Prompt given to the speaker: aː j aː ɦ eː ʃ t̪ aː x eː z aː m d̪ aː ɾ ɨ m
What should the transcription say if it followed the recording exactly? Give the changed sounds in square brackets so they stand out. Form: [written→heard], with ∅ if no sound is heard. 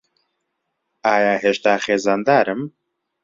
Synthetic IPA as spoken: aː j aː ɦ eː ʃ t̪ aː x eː z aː [m→n] d̪ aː ɾ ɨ m